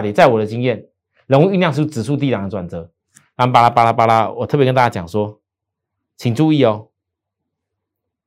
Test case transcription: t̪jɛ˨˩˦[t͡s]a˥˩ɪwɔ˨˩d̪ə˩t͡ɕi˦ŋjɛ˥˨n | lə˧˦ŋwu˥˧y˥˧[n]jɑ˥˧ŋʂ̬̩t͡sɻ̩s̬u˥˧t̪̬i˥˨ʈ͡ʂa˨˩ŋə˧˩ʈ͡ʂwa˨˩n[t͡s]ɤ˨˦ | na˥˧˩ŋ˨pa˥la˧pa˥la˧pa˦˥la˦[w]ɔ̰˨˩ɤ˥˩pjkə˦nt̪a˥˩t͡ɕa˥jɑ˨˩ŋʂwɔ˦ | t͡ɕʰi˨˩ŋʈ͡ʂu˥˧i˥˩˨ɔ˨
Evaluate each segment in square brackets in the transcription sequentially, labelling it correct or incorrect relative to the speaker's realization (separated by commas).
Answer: correct, correct, correct, correct